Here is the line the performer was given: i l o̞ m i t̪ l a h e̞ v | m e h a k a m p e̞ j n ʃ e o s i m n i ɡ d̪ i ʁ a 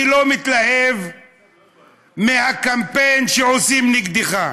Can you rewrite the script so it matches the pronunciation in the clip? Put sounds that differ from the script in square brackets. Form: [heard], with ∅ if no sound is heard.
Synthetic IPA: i l o̞ m i t̪ l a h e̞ v | m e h a k a m p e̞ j n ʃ e o s i m n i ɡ d̪ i [χ] a